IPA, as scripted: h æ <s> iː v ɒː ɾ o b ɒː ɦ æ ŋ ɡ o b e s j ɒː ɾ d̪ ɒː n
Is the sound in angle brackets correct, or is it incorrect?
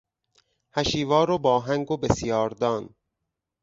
incorrect